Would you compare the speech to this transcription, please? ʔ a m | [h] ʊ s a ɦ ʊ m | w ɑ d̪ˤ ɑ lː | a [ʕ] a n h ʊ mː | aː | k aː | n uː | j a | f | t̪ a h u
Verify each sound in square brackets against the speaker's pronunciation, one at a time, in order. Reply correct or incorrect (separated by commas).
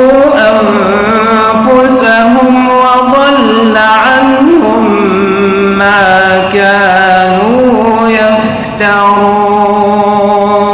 incorrect, correct